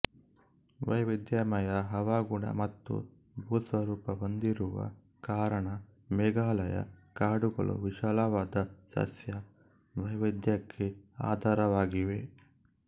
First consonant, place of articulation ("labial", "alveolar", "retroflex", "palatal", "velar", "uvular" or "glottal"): labial